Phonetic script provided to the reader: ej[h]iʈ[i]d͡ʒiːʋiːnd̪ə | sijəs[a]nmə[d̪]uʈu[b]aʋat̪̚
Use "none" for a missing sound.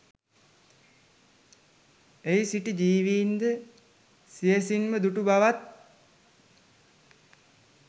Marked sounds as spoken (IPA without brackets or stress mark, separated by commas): s, i, i, d̪, b